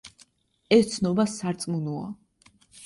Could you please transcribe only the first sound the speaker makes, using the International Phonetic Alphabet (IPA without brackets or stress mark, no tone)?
ɛ